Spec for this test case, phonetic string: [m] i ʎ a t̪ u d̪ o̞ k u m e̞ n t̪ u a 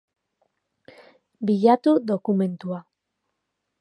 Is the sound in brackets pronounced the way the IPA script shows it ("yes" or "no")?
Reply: no